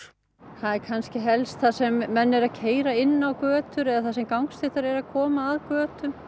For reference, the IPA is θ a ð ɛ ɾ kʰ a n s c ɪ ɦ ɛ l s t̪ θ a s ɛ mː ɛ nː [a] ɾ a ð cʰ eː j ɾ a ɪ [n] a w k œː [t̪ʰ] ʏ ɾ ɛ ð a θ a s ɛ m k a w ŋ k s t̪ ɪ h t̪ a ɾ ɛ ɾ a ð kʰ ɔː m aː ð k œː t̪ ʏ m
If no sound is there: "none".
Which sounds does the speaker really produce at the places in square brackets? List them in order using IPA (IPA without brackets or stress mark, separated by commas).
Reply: ɛ, nː, t̪